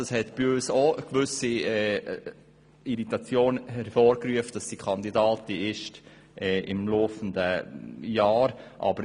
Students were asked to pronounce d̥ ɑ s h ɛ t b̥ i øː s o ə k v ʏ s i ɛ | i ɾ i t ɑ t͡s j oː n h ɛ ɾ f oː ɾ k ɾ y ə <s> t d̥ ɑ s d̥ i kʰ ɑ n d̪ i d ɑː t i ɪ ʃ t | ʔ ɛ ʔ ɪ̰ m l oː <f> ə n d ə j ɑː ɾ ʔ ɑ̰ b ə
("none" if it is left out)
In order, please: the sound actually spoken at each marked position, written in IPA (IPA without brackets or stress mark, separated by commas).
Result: f, f